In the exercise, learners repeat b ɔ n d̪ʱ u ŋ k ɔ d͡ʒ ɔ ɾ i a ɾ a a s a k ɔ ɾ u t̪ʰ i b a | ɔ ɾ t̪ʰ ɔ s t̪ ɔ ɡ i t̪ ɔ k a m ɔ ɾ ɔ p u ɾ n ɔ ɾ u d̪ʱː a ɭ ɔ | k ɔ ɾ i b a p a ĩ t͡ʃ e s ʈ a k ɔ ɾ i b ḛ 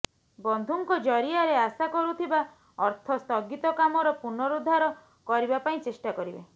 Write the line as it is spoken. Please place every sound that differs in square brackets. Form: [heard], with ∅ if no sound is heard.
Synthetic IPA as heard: b ɔ n d̪ʱ u ŋ k ɔ d͡ʒ ɔ ɾ i a ɾ [e] a s a k ɔ ɾ u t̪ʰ i b a | ɔ ɾ t̪ʰ ɔ s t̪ ɔ ɡ i t̪ ɔ k a m ɔ ɾ ɔ p u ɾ n ɔ ɾ u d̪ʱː a [ɾ] ɔ | k ɔ ɾ i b a p a ĩ t͡ʃ e s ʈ a k ɔ ɾ i b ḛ